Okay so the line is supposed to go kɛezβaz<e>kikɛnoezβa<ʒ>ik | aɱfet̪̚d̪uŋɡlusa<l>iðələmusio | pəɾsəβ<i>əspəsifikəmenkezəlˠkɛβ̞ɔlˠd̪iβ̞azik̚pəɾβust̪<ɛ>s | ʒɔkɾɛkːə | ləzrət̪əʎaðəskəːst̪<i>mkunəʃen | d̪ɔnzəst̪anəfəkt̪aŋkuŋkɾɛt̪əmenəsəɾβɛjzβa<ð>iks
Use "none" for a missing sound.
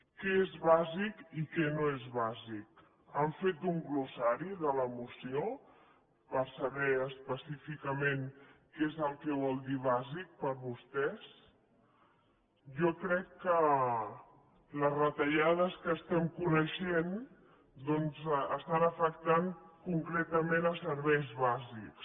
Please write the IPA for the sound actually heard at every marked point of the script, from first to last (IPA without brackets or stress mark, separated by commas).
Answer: i, z, ɾ, ɛ, ɛ, ɛ, z